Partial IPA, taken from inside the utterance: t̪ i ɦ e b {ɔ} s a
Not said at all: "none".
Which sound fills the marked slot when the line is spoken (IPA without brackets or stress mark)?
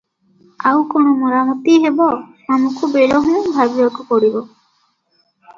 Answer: ɔ